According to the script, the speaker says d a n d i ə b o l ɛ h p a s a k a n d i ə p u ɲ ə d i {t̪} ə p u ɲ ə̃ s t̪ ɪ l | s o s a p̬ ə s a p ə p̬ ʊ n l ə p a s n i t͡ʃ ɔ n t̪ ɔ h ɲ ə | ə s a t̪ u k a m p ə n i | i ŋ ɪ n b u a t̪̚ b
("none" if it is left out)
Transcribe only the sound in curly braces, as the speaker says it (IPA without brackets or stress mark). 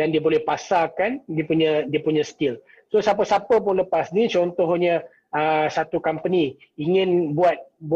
none